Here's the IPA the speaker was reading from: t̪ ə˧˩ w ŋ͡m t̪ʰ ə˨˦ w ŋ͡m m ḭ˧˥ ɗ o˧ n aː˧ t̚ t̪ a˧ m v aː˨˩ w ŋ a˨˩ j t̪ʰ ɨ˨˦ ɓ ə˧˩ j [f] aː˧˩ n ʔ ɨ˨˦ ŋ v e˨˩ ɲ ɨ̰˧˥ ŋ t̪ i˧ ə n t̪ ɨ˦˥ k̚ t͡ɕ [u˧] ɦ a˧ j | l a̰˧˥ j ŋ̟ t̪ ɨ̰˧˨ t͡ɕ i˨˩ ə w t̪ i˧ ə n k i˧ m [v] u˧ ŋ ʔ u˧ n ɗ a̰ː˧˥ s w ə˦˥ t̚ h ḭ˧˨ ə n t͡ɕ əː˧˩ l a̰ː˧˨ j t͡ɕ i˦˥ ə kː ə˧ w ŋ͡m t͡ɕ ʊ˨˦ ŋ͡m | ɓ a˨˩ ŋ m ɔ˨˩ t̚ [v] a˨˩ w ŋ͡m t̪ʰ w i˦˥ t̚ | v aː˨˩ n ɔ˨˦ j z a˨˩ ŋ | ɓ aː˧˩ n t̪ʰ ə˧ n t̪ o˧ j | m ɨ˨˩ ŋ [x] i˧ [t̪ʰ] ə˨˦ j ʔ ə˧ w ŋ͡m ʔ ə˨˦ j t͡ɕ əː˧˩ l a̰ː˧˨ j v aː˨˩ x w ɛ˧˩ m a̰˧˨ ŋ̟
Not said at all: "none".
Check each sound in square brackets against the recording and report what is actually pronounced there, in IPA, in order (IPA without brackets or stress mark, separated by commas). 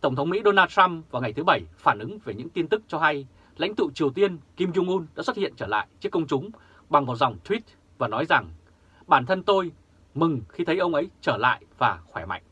f, ɔ˧, z, z, x, t̪ʰ